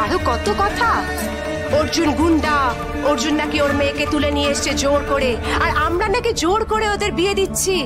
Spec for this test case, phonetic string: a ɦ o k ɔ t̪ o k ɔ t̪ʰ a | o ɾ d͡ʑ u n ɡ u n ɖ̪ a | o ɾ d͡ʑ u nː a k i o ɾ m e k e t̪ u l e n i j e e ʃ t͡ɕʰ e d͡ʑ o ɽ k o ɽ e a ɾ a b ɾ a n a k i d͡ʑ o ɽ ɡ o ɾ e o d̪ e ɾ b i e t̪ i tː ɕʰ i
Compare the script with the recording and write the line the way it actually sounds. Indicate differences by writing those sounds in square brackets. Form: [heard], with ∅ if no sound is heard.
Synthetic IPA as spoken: a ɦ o k ɔ t̪ o k ɔ t̪ʰ a | o ɾ d͡ʑ u n ɡ u n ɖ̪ a | o ɾ d͡ʑ u nː a k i o ɾ m e k e t̪ u l e n i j e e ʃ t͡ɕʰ e d͡ʑ o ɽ k o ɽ e a ɾ a [m] ɾ a n a k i d͡ʑ o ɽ [k] o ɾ e o d̪ e ɾ b i e [d̪] i tː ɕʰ i